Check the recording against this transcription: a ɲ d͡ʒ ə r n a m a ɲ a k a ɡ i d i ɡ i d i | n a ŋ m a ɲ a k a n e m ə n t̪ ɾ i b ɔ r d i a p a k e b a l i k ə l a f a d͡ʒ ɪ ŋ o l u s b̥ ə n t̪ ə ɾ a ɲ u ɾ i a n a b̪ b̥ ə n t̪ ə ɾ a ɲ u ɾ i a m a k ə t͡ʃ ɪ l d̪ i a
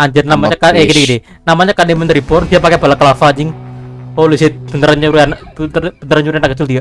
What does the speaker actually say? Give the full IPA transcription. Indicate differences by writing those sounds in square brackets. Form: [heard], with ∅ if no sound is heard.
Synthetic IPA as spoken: a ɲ d͡ʒ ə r n a m a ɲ a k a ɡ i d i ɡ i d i | n a [∅] m a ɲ a k a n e m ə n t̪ ɾ i b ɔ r d i a p a k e b a l [a] k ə l a f a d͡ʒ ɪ ŋ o l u s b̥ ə n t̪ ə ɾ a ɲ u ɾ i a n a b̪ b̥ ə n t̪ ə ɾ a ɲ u ɾ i a [n] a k ə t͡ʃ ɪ l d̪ i a